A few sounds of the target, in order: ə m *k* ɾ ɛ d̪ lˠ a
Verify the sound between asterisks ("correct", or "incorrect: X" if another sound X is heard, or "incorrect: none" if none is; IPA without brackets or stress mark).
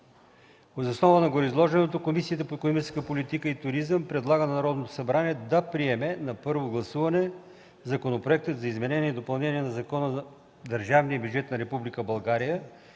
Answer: incorrect: p